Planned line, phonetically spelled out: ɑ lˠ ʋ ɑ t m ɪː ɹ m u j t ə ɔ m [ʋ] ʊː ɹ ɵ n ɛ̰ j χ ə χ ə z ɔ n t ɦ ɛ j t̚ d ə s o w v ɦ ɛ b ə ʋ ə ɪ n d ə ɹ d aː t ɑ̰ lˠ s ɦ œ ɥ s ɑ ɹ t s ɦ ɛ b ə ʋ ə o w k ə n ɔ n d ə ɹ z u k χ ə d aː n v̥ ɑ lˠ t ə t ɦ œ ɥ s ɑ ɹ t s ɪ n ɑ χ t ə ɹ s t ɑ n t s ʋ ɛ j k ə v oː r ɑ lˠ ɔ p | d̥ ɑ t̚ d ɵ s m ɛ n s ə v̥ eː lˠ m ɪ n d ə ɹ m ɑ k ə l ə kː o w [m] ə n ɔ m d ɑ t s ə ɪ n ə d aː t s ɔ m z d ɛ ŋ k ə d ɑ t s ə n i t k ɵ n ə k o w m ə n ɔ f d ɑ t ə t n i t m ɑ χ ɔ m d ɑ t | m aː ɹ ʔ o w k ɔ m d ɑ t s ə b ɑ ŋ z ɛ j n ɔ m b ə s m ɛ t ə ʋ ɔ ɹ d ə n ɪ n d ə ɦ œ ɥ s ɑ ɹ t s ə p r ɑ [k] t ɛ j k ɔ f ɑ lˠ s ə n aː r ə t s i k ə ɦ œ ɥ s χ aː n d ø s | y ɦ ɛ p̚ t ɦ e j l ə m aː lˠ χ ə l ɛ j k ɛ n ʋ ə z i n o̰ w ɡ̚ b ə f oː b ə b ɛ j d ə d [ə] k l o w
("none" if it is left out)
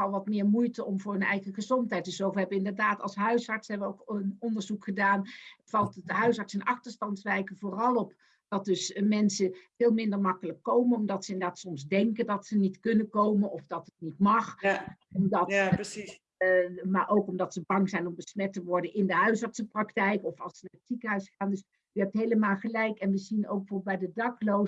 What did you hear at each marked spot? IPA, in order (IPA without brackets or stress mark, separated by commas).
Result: v, m, k, ɑ